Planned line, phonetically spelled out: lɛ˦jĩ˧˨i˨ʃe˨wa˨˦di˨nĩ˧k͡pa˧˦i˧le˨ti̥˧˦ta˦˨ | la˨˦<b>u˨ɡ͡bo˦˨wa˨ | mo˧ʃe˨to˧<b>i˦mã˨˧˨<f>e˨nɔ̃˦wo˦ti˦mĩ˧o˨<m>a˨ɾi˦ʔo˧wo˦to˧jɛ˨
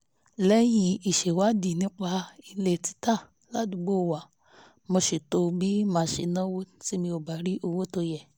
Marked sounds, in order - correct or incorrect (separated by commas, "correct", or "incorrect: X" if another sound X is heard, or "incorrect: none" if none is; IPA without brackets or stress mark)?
incorrect: d, correct, incorrect: ʃ, incorrect: b